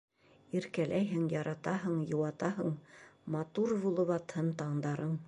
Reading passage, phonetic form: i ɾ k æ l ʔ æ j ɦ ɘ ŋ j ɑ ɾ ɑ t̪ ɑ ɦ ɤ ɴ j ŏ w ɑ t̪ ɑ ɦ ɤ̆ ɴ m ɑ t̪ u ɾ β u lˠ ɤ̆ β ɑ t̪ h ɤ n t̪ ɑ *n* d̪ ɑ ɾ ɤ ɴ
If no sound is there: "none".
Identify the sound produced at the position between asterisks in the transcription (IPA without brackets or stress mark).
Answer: ɴ